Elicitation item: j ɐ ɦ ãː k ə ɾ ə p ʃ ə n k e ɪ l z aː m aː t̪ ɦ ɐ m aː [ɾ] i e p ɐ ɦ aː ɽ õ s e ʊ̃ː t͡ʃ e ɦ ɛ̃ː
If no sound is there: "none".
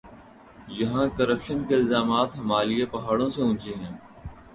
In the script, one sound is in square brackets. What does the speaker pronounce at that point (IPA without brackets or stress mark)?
l